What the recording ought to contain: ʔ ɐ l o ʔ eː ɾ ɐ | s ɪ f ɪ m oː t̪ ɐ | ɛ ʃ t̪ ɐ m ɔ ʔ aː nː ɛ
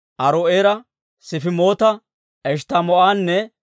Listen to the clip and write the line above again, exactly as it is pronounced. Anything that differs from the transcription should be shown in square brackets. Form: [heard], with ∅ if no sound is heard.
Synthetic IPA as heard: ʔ ɐ [ɾ] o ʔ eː ɾ ɐ | s ɪ f ɪ m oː t̪ ɐ | ɛ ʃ t̪ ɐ m ɔ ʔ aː nː ɛ